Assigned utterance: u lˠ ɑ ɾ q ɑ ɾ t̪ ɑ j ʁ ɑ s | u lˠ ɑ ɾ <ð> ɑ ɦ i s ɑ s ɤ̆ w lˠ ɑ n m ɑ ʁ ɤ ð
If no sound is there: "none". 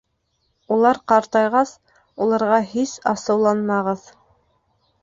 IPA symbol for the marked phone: ʁ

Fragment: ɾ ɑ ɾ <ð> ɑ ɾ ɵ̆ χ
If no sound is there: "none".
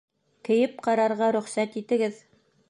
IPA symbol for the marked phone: ʁ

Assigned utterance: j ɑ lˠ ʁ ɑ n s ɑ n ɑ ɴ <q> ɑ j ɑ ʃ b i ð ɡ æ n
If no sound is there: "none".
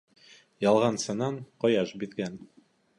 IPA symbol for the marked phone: q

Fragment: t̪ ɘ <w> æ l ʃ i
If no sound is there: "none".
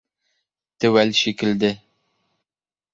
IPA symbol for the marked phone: w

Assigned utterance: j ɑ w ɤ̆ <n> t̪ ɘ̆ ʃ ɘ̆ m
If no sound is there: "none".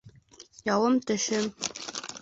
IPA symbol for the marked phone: m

